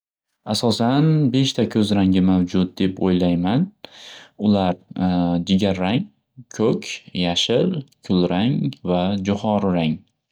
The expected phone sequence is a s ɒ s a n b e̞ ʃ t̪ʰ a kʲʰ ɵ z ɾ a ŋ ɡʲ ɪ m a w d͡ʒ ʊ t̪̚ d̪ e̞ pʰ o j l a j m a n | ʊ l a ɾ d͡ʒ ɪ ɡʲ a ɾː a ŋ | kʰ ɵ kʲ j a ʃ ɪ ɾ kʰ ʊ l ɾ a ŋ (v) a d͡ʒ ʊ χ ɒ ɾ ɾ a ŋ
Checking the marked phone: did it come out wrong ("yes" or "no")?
no